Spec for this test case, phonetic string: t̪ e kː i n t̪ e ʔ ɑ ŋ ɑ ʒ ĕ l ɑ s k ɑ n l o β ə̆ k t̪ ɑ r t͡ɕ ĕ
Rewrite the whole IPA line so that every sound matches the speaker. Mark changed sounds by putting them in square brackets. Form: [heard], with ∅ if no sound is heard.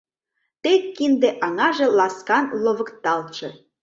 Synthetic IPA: t̪ e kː i n [d̪] e ʔ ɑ ŋ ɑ ʒ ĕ l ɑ s k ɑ n l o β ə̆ k t̪ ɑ [l] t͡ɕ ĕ